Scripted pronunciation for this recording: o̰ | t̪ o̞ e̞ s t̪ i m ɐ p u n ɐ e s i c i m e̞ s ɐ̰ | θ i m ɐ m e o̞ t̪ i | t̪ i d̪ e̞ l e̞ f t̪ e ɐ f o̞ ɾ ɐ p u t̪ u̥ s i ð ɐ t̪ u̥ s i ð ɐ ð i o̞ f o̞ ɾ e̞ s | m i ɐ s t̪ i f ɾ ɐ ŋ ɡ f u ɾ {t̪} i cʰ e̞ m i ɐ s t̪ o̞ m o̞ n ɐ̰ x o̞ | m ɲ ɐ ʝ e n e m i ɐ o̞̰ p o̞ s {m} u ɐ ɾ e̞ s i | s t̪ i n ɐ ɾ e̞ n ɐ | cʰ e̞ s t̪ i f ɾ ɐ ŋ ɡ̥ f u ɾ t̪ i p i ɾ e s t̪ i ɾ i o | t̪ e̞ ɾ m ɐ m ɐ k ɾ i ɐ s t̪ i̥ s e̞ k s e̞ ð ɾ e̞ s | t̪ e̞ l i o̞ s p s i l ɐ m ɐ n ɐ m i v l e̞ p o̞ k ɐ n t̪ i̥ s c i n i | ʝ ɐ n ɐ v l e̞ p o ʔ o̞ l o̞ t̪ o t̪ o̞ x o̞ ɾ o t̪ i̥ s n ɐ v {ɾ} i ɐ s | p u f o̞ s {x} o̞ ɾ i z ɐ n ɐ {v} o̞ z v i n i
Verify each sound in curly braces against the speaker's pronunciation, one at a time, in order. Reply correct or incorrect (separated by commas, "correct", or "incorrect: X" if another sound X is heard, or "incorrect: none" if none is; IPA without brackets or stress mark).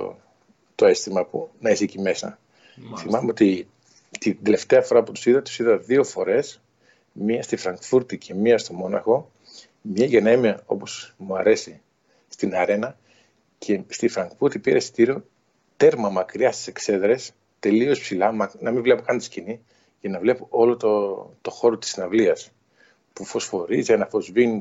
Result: correct, correct, incorrect: l, incorrect: f, incorrect: f